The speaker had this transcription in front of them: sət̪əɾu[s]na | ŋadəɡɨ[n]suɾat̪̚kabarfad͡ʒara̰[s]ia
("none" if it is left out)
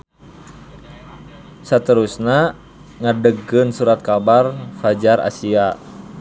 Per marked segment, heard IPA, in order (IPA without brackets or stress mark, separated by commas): s, n, s